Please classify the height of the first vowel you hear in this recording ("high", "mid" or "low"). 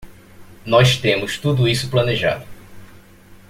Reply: mid